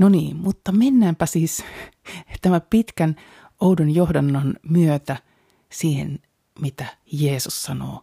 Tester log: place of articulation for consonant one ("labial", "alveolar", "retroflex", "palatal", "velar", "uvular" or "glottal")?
alveolar